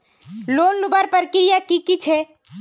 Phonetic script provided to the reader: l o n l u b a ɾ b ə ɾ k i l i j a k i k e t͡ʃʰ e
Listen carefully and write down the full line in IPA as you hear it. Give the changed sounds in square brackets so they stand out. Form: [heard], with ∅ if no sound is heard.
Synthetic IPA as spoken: l o n l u b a ɾ [p] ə ɾ k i [ɾ] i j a k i k [i] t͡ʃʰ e